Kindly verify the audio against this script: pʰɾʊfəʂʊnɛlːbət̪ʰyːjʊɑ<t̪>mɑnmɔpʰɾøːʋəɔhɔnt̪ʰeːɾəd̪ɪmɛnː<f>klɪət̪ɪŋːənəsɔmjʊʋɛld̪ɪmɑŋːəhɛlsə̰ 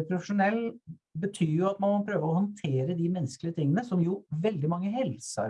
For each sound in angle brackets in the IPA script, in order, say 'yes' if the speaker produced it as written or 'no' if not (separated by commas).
yes, no